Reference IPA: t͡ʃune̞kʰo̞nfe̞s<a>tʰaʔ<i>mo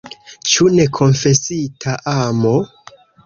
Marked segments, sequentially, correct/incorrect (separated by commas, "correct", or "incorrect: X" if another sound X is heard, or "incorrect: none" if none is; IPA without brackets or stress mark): incorrect: i, incorrect: a